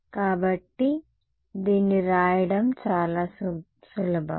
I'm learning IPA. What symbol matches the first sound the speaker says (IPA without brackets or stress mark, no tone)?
k